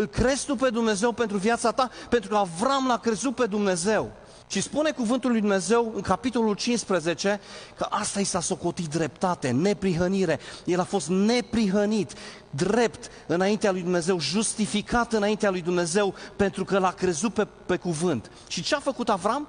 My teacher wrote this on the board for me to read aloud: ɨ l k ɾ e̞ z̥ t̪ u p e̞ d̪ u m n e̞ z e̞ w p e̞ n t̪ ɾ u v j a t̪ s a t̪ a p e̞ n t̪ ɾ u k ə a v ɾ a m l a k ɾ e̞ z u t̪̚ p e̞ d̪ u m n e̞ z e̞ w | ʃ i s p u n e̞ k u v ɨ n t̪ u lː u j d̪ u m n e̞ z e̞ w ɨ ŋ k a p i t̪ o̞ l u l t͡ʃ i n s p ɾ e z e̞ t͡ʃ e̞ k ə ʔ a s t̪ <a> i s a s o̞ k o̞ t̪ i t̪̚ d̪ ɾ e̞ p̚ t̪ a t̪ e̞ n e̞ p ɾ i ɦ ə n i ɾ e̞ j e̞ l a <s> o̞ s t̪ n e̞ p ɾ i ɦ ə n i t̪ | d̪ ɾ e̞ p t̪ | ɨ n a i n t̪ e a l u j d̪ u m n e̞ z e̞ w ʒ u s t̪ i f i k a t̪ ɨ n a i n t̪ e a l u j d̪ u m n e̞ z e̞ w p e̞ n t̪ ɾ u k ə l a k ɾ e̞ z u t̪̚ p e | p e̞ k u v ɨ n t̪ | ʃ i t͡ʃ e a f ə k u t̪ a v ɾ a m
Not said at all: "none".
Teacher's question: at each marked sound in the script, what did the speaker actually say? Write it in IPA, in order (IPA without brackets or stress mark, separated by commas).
a, f